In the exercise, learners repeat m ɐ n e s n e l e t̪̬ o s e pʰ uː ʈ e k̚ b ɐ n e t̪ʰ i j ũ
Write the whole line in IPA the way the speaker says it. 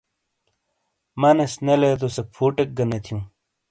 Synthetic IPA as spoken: m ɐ n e s n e l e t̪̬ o s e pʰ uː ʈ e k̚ ɡ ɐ n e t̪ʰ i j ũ